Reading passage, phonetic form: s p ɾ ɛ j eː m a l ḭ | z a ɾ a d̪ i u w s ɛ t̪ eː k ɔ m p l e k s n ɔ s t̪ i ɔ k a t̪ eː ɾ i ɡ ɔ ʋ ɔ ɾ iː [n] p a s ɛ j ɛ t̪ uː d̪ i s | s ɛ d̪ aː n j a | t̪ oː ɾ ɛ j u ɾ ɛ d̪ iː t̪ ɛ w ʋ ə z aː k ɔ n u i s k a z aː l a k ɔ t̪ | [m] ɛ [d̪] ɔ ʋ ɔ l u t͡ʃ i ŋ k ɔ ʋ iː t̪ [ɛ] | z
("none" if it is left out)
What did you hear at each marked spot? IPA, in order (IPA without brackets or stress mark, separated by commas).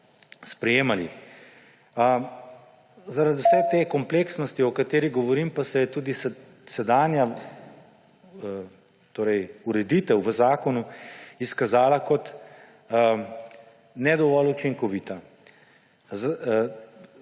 m, n, d̪, a